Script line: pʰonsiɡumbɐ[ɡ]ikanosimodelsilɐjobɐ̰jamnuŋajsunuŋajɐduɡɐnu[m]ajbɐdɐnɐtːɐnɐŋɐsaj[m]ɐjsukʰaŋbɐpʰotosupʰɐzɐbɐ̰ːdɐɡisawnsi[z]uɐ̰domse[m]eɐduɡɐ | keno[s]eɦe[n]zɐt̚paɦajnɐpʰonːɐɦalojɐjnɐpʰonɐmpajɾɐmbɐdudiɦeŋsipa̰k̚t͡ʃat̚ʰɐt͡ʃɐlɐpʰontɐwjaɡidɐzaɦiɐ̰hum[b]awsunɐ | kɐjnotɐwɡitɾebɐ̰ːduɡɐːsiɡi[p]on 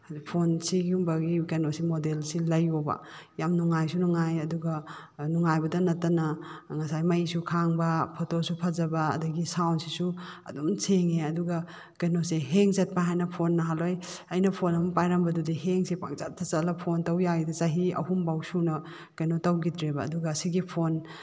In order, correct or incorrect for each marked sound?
correct, incorrect: ŋ, correct, incorrect: s, incorrect: ŋ, correct, incorrect: ŋ, correct, incorrect: pʰ

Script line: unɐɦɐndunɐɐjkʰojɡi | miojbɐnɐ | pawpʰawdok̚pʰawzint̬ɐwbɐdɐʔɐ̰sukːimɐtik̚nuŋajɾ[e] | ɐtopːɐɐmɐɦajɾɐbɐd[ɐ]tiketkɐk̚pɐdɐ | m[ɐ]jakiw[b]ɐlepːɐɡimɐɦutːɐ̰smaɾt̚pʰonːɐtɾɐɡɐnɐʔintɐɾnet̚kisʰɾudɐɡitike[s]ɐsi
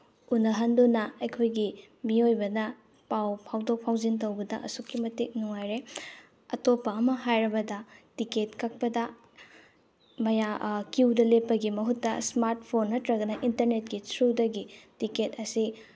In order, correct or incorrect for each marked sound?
correct, correct, correct, incorrect: d, incorrect: t

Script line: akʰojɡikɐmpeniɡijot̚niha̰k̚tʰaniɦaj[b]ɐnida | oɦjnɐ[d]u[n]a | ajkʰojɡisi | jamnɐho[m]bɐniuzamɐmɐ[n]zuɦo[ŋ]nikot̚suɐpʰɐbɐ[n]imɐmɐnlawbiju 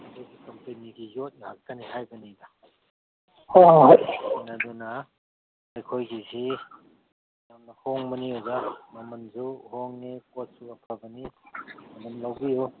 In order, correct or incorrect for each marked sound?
correct, correct, correct, incorrect: ŋ, correct, correct, correct

